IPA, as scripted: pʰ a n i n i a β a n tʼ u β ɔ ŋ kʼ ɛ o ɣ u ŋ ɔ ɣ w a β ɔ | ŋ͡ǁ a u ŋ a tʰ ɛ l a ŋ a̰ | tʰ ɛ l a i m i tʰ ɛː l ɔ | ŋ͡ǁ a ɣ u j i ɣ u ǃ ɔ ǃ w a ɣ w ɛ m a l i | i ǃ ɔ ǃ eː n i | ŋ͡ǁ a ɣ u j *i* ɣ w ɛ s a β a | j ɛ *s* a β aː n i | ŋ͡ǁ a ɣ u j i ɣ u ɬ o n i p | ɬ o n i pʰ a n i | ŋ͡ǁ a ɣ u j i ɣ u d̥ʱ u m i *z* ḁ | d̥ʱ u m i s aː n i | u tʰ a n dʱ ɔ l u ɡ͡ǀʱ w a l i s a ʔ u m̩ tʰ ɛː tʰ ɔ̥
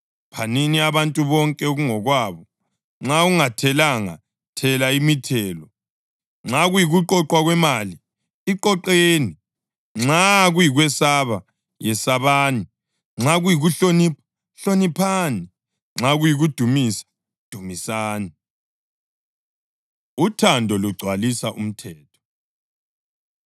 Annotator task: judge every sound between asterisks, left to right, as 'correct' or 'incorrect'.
correct, correct, incorrect: s

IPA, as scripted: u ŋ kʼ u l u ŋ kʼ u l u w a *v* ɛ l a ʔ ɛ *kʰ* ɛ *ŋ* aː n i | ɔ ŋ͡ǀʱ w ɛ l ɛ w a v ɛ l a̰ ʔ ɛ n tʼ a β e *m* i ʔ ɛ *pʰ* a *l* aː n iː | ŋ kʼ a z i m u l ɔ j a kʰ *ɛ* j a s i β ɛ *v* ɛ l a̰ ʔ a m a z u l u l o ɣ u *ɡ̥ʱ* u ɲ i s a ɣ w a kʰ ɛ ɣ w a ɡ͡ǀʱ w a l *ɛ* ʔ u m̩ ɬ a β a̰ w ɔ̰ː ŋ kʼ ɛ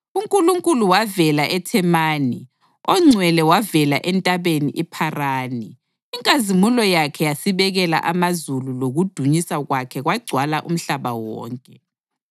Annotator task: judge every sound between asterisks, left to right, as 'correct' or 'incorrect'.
correct, incorrect: tʰ, incorrect: m, incorrect: n, correct, incorrect: r, correct, incorrect: ɣ, incorrect: d̥ʱ, incorrect: a

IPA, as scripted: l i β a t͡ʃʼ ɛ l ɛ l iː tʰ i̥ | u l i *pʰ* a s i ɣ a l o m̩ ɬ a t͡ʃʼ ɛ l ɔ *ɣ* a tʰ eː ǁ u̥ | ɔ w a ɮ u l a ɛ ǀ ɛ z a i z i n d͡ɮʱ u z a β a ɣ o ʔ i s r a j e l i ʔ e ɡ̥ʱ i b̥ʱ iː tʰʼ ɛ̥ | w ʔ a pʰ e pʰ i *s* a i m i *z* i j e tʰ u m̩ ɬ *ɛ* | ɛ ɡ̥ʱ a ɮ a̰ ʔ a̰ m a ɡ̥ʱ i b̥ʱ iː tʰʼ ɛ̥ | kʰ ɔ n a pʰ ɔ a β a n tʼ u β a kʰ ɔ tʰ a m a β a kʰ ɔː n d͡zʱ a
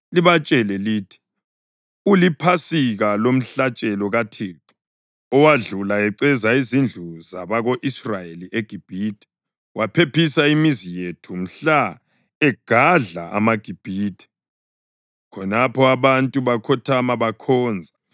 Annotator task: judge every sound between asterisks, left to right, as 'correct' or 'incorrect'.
correct, correct, correct, correct, incorrect: a

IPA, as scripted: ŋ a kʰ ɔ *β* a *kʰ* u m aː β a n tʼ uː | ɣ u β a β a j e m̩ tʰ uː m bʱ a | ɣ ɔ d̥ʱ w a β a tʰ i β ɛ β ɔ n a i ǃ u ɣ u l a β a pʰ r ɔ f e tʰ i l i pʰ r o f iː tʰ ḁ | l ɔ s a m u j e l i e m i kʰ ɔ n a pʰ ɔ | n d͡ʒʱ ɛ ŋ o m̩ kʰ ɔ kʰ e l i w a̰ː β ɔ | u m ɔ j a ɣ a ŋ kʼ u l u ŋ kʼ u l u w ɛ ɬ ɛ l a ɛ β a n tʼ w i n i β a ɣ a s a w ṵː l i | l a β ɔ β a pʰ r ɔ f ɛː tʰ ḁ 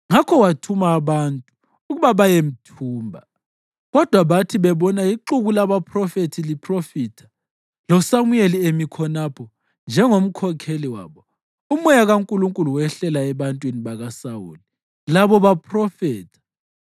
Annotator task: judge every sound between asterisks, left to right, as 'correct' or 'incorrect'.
incorrect: w, incorrect: tʰ

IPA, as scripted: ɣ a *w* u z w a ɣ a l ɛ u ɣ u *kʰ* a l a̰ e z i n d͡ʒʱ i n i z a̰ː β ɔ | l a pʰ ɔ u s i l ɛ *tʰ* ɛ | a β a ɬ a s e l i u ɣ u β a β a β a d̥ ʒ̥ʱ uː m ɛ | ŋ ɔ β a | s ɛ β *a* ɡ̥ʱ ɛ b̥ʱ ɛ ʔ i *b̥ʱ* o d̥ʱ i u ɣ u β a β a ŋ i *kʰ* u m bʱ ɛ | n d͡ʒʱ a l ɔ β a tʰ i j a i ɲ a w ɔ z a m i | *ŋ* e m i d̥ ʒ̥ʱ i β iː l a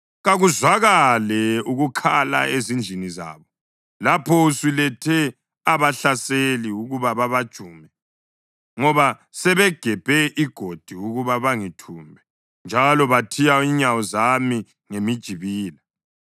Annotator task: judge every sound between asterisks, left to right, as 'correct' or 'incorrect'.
incorrect: ɣ, correct, correct, incorrect: ɛ, incorrect: ɡ̥ʱ, incorrect: tʰ, correct

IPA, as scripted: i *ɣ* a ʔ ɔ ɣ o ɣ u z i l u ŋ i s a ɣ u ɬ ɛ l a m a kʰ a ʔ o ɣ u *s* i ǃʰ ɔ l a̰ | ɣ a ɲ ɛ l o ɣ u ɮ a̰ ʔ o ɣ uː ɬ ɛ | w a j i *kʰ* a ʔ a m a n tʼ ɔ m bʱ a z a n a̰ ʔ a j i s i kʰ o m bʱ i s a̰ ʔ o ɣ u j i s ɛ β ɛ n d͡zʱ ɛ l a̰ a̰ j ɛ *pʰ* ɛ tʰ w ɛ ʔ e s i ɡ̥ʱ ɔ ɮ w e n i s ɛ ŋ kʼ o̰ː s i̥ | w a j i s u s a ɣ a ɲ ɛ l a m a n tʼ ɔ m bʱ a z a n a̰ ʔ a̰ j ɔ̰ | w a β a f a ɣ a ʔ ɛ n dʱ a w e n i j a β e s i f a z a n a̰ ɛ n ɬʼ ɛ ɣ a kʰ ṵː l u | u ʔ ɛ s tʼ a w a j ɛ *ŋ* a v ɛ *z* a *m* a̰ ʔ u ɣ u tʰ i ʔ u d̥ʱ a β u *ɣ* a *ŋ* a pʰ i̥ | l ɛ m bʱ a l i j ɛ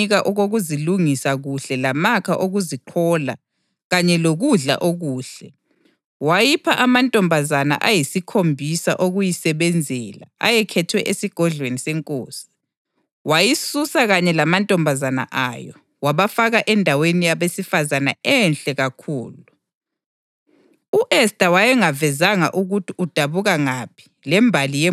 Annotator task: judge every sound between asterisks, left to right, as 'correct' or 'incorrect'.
correct, incorrect: z, incorrect: pʰ, incorrect: kʰ, correct, correct, incorrect: ŋ, correct, correct

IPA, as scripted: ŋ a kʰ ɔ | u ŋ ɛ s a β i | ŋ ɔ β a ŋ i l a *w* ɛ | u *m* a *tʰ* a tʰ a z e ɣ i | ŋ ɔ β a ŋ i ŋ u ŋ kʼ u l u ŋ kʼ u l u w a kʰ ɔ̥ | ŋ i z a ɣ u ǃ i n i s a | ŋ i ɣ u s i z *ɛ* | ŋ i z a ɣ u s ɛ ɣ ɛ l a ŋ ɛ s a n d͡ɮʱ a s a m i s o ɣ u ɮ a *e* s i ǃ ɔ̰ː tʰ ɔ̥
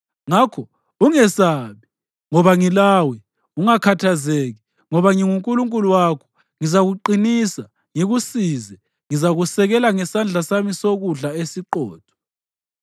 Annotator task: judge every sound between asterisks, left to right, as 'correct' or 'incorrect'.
correct, incorrect: ŋ, incorrect: kʰ, correct, correct

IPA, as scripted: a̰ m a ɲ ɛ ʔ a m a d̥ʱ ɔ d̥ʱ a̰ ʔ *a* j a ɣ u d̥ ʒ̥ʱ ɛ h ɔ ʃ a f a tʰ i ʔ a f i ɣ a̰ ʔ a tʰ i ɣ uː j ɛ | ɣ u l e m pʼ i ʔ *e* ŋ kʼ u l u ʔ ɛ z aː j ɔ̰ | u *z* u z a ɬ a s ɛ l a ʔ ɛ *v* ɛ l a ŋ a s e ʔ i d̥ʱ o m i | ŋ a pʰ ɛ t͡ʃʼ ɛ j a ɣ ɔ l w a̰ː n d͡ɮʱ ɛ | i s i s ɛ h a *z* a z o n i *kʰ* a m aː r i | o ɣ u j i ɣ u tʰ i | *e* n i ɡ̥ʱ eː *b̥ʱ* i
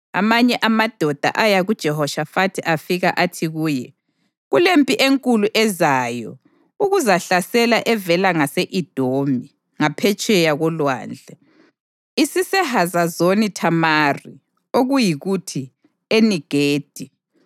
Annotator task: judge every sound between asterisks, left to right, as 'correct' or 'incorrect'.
correct, correct, incorrect: ɣ, correct, correct, incorrect: tʰ, correct, incorrect: d̥ʱ

